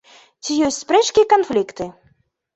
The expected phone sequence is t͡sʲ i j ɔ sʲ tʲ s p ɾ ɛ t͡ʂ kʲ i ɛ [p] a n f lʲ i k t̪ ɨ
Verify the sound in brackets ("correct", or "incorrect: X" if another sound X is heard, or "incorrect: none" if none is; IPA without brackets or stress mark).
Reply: incorrect: k